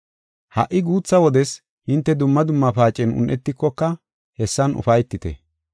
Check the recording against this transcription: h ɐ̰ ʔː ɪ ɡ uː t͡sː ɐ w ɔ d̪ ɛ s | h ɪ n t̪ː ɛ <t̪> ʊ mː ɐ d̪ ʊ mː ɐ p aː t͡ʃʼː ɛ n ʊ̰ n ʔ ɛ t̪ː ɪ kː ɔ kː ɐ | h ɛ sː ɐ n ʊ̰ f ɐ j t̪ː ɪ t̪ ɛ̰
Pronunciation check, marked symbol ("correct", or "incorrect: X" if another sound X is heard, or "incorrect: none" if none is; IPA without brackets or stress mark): incorrect: d̪